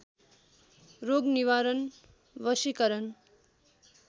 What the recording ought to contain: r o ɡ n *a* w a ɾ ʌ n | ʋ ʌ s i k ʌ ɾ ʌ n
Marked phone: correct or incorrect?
incorrect